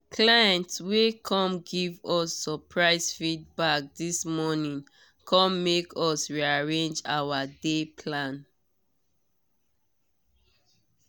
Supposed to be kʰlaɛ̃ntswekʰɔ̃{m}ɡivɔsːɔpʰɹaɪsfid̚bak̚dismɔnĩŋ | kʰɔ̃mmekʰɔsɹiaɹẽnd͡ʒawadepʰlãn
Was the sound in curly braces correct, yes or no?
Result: yes